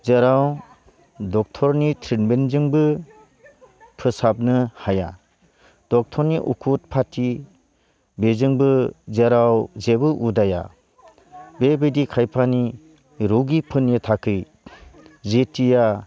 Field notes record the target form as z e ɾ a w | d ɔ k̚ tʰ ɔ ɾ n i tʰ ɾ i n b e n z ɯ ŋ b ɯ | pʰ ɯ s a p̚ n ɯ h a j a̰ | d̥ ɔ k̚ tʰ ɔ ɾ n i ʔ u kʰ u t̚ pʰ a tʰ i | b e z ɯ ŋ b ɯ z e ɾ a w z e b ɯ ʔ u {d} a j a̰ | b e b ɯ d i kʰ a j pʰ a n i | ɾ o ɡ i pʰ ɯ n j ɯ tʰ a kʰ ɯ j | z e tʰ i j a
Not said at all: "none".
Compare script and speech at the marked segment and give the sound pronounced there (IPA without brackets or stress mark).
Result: d